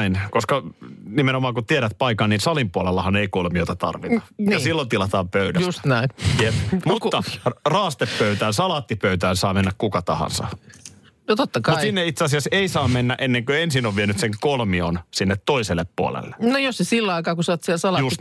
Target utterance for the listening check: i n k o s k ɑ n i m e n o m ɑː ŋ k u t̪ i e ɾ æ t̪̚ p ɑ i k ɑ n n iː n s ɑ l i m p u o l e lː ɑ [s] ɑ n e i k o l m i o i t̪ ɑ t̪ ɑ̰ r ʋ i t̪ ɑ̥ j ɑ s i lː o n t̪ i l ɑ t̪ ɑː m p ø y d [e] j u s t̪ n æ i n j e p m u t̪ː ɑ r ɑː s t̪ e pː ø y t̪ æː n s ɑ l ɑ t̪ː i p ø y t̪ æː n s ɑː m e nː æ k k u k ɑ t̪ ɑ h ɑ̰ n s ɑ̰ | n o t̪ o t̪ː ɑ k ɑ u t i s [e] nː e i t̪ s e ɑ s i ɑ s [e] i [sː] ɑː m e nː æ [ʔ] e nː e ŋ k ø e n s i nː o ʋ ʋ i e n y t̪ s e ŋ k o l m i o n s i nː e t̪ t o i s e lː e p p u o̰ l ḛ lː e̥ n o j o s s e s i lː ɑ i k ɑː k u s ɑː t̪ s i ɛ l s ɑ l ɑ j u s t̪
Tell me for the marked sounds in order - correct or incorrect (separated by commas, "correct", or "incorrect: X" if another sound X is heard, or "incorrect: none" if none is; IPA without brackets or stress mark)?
incorrect: h, incorrect: æ, incorrect: i, correct, incorrect: s, correct